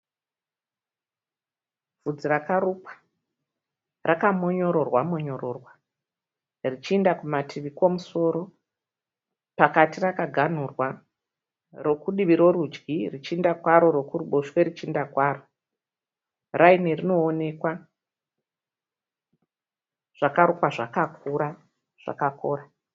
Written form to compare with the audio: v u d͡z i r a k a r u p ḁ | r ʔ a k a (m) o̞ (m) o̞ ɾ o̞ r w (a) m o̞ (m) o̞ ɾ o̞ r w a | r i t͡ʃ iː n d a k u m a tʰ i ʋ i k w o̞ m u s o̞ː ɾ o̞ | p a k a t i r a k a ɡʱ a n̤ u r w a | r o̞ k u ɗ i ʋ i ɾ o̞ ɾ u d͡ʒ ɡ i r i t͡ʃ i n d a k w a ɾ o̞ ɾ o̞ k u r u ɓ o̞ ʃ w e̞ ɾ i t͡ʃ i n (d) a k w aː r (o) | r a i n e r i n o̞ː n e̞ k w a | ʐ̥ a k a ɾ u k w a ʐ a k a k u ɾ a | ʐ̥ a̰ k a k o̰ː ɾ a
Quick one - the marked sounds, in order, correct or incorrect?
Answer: correct, incorrect: ɲ, correct, incorrect: ɲ, correct, correct

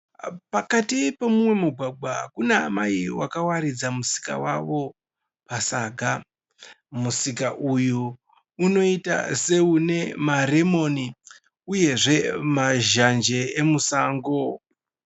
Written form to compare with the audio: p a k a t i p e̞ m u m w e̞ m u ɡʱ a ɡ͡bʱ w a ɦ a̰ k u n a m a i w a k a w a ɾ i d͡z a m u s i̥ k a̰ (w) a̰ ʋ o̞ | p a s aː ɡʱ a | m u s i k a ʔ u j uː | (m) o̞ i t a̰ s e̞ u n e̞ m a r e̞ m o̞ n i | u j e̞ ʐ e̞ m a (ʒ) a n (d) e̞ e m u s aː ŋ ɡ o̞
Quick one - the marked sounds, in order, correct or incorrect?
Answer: correct, incorrect: n, correct, incorrect: d͡ʒ

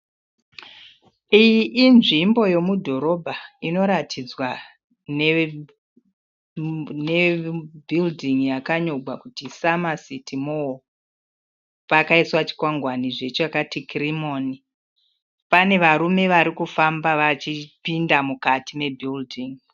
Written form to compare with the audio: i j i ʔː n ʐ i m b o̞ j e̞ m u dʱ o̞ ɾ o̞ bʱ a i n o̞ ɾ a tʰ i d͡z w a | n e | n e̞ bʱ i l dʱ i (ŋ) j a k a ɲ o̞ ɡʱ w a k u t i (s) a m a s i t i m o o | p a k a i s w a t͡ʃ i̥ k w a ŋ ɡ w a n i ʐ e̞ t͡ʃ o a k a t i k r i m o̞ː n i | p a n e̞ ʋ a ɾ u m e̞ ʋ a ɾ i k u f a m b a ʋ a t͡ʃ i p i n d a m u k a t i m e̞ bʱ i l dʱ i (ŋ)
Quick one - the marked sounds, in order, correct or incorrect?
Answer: correct, correct, correct

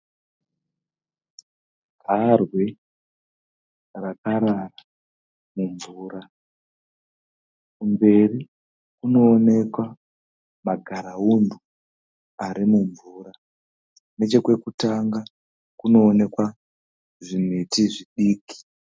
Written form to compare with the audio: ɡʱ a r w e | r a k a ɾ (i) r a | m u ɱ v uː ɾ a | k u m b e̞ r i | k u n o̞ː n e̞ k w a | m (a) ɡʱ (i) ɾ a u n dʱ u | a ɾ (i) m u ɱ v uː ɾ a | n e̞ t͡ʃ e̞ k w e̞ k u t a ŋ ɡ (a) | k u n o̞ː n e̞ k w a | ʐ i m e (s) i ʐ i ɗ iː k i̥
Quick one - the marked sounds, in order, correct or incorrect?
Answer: incorrect: a, correct, incorrect: a, correct, correct, incorrect: t

